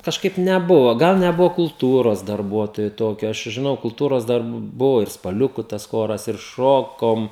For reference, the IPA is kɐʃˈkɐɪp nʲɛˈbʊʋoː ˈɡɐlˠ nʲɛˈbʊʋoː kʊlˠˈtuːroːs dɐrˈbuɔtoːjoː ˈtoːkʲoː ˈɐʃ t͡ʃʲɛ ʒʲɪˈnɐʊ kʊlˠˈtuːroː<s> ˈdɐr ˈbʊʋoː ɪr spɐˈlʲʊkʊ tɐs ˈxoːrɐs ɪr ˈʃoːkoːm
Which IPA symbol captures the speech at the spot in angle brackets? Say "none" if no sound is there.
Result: s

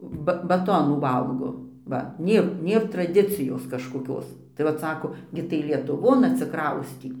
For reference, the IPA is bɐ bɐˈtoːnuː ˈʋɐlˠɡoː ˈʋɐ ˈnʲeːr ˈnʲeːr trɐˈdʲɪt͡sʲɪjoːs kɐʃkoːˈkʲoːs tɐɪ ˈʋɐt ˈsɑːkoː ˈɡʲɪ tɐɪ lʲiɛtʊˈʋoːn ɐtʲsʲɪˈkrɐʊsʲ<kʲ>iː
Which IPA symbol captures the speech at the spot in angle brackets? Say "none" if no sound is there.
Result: tʲ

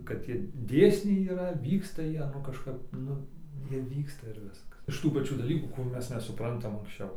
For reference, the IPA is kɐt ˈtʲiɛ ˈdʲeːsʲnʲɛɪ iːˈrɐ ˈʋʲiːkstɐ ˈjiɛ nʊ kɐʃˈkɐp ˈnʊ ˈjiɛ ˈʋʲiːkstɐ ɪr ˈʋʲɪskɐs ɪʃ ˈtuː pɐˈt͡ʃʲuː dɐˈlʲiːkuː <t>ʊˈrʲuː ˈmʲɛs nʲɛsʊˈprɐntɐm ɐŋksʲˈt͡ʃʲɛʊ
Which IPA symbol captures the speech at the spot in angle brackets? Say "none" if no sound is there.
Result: k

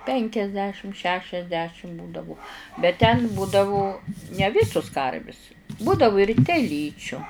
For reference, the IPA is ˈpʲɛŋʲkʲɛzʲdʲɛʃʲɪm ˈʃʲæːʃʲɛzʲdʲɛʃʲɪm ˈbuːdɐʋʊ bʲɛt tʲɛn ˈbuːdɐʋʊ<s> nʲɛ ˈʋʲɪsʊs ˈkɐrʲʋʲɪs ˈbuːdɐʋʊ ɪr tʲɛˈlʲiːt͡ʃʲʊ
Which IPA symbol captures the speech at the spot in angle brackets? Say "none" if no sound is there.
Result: none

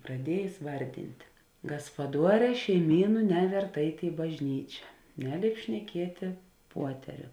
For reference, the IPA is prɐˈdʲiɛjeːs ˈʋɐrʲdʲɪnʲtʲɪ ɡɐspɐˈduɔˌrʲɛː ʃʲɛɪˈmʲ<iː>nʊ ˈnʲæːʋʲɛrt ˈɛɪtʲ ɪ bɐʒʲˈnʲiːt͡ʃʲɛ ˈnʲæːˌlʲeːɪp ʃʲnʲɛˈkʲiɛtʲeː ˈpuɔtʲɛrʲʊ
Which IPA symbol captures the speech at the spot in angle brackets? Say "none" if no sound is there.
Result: iː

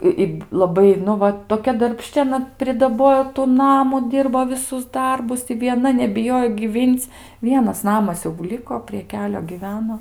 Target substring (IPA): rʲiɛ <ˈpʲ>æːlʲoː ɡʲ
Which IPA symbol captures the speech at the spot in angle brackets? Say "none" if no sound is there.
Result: kʲ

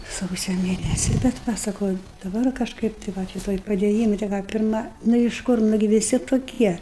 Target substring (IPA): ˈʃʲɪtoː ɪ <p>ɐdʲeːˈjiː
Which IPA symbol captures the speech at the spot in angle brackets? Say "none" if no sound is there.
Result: p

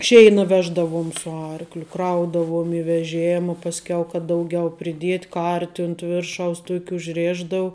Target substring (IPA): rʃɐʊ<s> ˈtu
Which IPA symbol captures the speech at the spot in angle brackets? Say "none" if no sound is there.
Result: s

